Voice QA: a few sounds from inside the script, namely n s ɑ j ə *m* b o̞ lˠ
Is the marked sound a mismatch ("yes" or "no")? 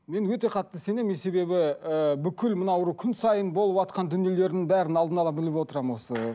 yes